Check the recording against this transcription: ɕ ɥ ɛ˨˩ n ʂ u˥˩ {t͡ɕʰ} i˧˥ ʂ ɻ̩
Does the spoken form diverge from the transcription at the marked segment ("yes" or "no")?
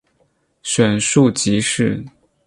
yes